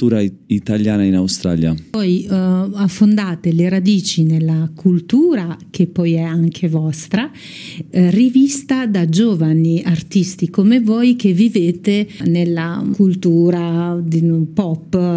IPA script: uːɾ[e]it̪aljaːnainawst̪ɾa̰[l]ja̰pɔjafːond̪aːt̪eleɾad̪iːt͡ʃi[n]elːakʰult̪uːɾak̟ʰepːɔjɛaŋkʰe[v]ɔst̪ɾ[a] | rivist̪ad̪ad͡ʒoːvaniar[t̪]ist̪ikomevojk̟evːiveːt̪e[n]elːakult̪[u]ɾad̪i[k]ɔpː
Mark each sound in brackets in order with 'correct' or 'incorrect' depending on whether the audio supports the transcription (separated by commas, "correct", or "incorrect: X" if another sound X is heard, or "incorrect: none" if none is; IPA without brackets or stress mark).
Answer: incorrect: a, correct, correct, correct, correct, correct, correct, incorrect: uː, incorrect: p